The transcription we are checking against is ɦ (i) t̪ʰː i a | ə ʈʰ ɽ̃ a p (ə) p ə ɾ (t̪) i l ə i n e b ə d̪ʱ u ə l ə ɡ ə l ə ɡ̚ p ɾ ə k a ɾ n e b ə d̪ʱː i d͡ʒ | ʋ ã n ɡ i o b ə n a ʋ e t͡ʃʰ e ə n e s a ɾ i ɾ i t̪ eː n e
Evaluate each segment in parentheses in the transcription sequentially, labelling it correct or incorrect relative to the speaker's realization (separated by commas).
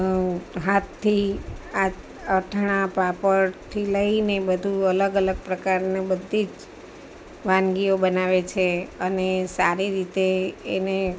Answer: incorrect, incorrect, incorrect